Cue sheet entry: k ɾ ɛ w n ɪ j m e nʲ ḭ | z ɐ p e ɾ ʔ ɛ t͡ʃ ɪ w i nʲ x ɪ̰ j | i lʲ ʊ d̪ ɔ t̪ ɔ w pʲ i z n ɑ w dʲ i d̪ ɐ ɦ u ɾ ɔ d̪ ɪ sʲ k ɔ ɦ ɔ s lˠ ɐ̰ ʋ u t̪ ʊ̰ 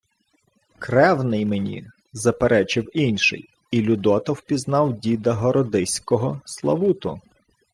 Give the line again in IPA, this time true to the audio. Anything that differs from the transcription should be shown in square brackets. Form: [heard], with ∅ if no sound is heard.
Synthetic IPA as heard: k ɾ ɛ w n ɪ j m e nʲ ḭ | z ɐ p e ɾ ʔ ɛ t͡ʃ ɪ w i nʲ [ʃ] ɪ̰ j | i lʲ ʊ d̪ ɔ t̪ ɔ w pʲ i z n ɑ w dʲ i d̪ ɐ ɦ [ɔ] ɾ ɔ d̪ ɪ sʲ k ɔ ɦ ɔ s lˠ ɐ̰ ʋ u t̪ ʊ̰

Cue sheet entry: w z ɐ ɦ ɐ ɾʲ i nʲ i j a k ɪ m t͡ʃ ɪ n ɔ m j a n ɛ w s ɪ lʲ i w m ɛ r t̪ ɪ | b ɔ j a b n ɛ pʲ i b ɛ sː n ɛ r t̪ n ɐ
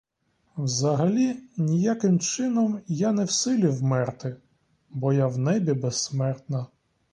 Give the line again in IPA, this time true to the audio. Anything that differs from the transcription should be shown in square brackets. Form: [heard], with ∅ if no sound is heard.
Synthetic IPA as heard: w z ɐ ɦ ɐ [lʲ] i nʲ i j a k ɪ m t͡ʃ ɪ n ɔ m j a n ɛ w s ɪ lʲ i w m ɛ r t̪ ɪ | b ɔ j a [w] n ɛ [bʲ] i b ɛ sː [m] ɛ r t̪ n ɐ

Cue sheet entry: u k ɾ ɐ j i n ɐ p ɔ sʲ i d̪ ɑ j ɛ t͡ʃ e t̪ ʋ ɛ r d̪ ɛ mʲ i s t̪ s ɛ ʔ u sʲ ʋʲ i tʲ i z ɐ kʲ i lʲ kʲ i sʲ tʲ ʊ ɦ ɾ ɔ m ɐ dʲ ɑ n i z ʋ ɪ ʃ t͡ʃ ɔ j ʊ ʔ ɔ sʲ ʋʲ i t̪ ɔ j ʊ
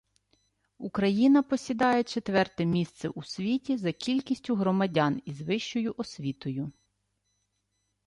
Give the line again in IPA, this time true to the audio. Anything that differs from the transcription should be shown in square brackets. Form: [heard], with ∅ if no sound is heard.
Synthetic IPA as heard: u k ɾ ɐ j i n ɐ p ɔ sʲ i d̪ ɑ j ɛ t͡ʃ e t̪ ʋ ɛ r [t̪] ɛ mʲ i s t̪ s ɛ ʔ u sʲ ʋʲ i tʲ i z ɐ kʲ i lʲ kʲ i sʲ tʲ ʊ ɦ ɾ ɔ m ɐ dʲ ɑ n i z ʋ ɪ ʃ t͡ʃ ɔ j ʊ ʔ ɔ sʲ ʋʲ i t̪ ɔ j ʊ

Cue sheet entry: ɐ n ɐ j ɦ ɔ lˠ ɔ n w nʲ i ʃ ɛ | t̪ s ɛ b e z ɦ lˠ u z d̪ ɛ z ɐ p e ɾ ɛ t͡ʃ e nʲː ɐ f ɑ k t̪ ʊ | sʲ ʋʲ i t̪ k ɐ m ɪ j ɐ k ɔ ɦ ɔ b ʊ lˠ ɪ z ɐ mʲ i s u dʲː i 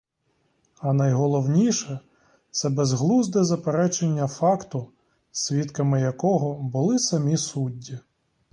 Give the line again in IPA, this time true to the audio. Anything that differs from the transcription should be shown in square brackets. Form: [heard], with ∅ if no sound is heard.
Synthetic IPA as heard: ɐ n ɐ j ɦ ɔ lˠ ɔ [∅] w nʲ i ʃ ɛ | t̪ s ɛ b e z ɦ lˠ u z d̪ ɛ z ɐ p e ɾ ɛ t͡ʃ e nʲː ɐ f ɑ k t̪ ʊ | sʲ ʋʲ i t̪ k ɐ m ɪ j ɐ k ɔ ɦ ɔ b ʊ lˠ ɪ [s] ɐ mʲ i s u dʲː i

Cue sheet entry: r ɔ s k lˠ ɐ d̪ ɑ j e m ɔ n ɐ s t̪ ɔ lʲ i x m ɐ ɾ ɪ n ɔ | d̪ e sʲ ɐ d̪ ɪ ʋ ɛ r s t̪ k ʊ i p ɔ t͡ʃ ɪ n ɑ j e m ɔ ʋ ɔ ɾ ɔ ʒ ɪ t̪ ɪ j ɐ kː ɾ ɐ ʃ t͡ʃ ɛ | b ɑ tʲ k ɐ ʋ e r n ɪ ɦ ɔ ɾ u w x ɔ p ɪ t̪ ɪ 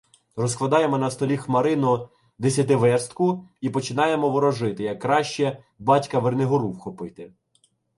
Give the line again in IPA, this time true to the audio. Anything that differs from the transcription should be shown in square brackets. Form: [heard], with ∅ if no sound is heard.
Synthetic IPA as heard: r ɔ s k lˠ ɐ d̪ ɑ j e m ɔ n ɐ s t̪ ɔ lʲ i x m ɐ ɾ ɪ n ɔ | d̪ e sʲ ɐ [t̪] ɪ ʋ ɛ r s t̪ k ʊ i p ɔ t͡ʃ ɪ n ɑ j e m ɔ ʋ ɔ ɾ ɔ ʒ ɪ t̪ ɪ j ɐ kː ɾ [ɑ] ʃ t͡ʃ ɛ | b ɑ tʲ k ɐ ʋ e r n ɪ ɦ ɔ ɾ u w x ɔ p ɪ t̪ ɪ

